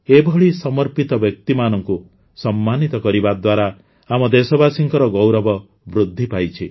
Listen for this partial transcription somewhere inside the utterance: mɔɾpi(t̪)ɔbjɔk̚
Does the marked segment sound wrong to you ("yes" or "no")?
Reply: no